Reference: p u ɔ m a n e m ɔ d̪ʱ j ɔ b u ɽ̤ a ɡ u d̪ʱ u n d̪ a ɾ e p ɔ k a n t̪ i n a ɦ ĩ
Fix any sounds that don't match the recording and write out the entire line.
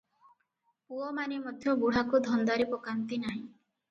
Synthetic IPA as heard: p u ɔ m a n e m ɔ d̪ʱ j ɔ b u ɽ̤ a k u d̪ʱ ɔ n d̪ a ɾ i p ɔ k a n t̪ i n a ɦ ĩ